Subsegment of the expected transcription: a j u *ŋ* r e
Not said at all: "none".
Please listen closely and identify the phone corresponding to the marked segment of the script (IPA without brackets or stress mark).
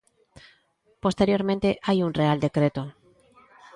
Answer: n